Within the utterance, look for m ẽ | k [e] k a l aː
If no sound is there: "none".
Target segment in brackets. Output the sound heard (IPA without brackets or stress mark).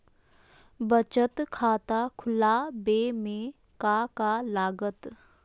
a